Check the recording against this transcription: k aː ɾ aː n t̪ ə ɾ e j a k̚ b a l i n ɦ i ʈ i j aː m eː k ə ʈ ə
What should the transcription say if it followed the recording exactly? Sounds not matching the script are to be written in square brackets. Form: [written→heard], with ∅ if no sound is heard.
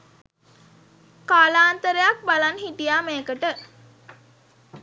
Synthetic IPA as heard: k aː [ɾ→l] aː n t̪ ə ɾ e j a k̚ b a l [i→a] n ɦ i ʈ i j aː m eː k ə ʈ ə